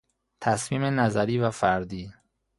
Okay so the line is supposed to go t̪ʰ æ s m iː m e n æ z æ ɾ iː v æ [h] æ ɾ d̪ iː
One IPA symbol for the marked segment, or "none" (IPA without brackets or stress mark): f